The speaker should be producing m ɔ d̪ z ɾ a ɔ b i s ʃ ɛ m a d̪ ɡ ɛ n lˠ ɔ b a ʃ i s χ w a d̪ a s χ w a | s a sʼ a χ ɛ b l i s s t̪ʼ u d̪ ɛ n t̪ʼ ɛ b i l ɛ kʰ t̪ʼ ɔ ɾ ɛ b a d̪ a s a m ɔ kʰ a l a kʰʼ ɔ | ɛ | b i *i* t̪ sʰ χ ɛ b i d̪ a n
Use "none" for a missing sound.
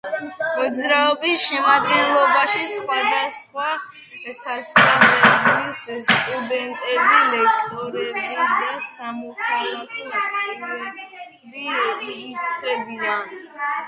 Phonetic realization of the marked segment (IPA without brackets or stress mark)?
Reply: i